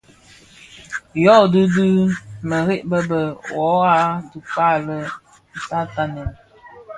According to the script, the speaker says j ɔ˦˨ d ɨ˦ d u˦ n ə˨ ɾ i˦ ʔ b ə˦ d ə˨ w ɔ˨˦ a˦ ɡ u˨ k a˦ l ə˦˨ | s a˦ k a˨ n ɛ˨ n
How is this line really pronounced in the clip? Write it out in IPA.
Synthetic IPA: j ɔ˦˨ d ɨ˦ d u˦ m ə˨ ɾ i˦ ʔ b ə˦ b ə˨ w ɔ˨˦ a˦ d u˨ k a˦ l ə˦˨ | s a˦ t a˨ n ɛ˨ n